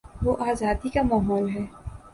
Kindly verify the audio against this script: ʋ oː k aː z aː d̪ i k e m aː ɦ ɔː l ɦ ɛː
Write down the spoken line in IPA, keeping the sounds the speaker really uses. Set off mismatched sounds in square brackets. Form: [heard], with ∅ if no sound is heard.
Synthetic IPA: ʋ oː [ʔ] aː z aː d̪ i k [a] m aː ɦ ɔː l ɦ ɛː